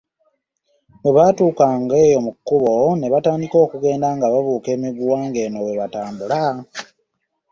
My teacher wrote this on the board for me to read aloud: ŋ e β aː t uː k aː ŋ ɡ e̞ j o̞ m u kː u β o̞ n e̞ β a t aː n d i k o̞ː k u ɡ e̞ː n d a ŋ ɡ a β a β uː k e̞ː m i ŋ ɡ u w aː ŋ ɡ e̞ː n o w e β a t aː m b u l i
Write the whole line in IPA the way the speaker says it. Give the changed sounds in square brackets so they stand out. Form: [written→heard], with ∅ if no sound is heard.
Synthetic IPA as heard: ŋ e β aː t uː k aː ŋ ɡ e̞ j o̞ m u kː u β o̞ n e̞ β a t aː n d i k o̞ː k u ɡ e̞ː n d a ŋ ɡ a β a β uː k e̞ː m i [ŋ→∅] ɡ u w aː ŋ ɡ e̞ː n o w e β a t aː m b u l [i→a]